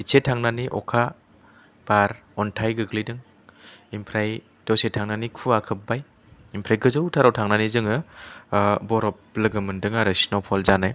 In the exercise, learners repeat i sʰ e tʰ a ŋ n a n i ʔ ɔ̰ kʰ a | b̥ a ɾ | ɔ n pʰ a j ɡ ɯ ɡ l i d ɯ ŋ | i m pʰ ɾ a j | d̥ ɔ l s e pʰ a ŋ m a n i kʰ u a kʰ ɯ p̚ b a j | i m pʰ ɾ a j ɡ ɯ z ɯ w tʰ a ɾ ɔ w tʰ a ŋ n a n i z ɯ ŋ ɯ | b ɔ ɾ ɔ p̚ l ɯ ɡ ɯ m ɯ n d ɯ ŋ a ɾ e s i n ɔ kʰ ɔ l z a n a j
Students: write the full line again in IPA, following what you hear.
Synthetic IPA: i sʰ e tʰ a ŋ n a n i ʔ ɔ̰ kʰ a | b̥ a ɾ | ɔ n tʰ a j ɡ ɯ ɡ l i d ɯ ŋ | i m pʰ ɾ a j | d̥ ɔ s e tʰ a ŋ n a n i kʰ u a kʰ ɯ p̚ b a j | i m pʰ ɾ a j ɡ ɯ z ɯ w tʰ a ɾ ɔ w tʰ a ŋ n a n i z ɯ ŋ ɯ | b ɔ ɾ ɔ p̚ l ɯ ɡ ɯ m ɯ n d ɯ ŋ a ɾ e s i n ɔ pʰ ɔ l z a n a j